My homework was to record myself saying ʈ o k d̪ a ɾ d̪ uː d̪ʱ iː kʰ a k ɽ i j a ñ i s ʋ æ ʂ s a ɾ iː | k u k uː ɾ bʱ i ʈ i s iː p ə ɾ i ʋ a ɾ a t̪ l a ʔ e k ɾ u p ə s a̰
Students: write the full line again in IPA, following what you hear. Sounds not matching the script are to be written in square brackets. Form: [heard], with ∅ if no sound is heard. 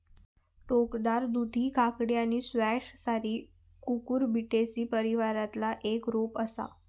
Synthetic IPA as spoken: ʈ o k d̪ a ɾ d̪ [u] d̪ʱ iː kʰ a k ɽ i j a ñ i s ʋ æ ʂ s a ɾ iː | k u k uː ɾ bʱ i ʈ [e] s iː p ə ɾ i ʋ a ɾ a t̪ l a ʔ e k ɾ [o] p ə s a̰